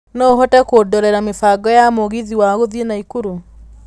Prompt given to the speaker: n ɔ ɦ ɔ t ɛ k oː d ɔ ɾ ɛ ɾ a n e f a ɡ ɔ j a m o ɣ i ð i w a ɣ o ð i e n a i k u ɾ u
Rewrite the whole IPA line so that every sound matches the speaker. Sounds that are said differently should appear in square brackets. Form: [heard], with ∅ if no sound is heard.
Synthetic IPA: n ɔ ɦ ɔ t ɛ k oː d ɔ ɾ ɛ ɾ a [m] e f a ɡ ɔ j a m o ɣ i ð i w a ɣ o ð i e n a i k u ɾ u